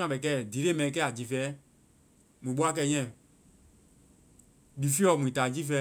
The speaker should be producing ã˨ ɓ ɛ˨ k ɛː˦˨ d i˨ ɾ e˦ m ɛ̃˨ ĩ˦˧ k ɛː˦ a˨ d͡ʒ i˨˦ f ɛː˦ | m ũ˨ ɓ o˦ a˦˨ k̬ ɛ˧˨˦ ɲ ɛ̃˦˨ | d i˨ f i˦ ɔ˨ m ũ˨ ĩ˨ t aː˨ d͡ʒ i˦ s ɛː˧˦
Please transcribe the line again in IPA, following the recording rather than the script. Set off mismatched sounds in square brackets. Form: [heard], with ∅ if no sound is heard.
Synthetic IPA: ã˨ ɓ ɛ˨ k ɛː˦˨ d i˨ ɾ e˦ m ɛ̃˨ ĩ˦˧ k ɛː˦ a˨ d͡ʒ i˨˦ f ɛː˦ | m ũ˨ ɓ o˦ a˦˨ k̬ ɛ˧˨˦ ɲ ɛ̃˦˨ | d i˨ f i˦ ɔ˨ m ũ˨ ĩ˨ t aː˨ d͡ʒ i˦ [f] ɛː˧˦